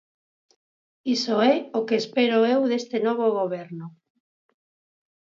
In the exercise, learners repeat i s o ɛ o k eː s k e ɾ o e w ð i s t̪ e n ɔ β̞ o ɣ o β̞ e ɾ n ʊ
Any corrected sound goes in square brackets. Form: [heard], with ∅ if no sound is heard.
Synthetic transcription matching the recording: i s o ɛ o k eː s [p] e ɾ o e w ð [e] s t̪ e n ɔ β̞ o ɣ o β̞ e ɾ n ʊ